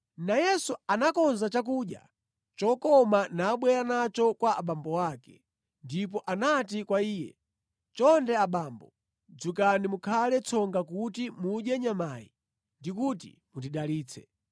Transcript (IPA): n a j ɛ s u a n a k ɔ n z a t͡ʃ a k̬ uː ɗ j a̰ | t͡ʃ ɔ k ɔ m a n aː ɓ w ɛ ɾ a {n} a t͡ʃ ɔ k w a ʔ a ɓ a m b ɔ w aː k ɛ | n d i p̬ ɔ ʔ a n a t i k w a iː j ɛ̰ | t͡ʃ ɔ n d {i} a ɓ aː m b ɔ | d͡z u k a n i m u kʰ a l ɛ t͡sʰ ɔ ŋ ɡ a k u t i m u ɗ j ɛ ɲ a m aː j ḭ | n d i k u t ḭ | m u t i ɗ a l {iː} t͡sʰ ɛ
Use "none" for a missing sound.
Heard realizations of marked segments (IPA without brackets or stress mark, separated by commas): n, ɛ, iː